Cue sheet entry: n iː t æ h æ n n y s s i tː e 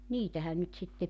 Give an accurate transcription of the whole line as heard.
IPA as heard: n iː t æ h æ n n y t s i tː e